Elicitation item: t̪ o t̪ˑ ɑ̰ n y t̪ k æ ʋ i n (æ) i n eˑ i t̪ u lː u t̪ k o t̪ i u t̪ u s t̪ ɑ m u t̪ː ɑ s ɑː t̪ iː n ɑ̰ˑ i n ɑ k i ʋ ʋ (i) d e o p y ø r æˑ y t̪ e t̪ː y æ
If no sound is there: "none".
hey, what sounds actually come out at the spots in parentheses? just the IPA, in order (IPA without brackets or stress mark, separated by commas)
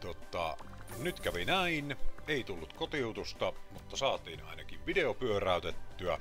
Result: æ, i